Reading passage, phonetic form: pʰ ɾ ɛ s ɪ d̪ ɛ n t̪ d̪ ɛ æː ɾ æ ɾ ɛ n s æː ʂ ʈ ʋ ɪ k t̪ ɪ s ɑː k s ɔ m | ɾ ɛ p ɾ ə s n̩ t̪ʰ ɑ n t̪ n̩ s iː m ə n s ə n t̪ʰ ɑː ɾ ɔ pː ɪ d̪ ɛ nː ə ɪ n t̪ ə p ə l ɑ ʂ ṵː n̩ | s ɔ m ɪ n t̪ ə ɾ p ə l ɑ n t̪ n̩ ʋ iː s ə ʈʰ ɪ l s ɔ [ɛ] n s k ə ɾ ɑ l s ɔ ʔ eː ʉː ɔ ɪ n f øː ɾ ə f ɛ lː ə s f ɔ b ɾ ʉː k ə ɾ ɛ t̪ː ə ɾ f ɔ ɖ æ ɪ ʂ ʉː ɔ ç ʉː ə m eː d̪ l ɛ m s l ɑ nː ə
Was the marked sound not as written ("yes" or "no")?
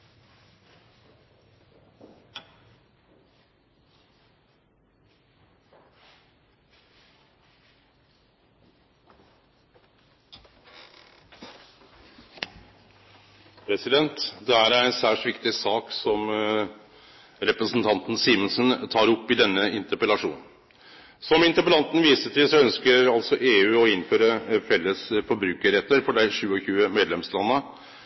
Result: yes